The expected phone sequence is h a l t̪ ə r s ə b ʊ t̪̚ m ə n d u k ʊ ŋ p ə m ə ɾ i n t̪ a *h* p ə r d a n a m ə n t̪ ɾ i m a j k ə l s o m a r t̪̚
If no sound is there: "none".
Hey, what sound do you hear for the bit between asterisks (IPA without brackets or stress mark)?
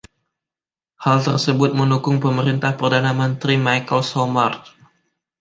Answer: h